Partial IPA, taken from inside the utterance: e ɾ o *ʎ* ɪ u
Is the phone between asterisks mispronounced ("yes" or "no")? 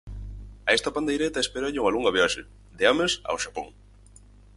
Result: no